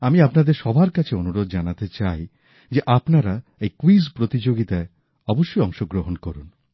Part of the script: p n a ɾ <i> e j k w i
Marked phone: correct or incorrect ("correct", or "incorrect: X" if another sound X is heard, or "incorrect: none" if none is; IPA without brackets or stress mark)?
incorrect: a